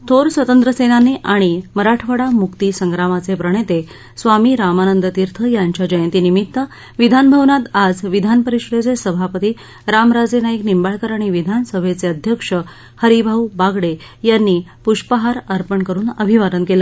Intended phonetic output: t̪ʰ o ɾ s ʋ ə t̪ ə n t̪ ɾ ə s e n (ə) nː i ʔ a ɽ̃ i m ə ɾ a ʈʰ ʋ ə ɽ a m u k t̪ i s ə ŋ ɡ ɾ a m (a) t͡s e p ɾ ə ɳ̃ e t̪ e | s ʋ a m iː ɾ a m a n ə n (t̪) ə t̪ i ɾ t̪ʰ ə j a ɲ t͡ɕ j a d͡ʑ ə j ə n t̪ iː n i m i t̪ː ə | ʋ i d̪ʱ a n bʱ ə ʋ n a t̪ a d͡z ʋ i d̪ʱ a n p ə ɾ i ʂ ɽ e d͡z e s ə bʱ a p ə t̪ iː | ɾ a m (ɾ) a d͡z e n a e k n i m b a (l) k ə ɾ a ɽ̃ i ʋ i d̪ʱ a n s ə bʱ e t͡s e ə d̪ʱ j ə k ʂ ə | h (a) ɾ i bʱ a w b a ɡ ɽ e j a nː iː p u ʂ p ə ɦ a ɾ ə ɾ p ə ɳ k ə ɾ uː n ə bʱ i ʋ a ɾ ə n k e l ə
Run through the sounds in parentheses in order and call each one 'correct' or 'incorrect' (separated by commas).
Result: incorrect, correct, incorrect, correct, incorrect, incorrect